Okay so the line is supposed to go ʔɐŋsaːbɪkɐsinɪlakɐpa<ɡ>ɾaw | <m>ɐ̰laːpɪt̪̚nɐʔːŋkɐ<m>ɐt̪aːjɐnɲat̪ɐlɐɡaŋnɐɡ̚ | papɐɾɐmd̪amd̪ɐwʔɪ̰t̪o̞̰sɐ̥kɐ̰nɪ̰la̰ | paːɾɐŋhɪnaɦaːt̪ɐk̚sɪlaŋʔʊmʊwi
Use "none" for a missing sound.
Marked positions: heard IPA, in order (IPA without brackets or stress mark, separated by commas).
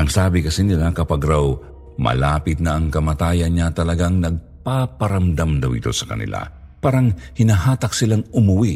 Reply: ɡ, m, m